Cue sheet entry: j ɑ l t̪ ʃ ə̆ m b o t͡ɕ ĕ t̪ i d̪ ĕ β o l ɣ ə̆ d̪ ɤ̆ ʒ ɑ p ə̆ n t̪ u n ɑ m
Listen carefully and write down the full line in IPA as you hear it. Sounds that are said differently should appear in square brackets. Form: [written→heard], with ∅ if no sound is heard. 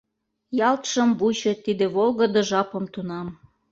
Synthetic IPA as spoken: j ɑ l t̪ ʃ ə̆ m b [o→u] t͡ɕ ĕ t̪ i d̪ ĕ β o l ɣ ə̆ d̪ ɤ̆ ʒ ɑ p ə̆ [n→m] t̪ u n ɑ m